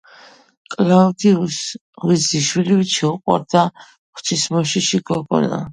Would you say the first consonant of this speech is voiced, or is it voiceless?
voiceless